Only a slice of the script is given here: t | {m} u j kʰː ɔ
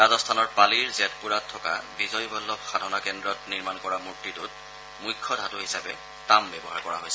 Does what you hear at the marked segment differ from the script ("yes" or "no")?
no